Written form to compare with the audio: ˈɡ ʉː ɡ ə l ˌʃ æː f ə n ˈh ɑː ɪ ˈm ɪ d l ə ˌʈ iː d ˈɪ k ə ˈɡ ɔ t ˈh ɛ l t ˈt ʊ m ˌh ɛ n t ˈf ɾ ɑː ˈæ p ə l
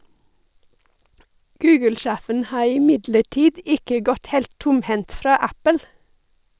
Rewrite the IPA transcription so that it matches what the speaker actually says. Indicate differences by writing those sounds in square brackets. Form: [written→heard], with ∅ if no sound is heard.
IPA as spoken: ˈɡ ʉː ɡ ə l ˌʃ æː f ə n ˈh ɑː ɪ ˈm ɪ d l ə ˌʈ iː d ˈɪ k ə ˈɡ ɔ t ˈh ɛ l t ˈt ʊ m ˌh ɛ n t ˈf ɾ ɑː ˈæ p ə l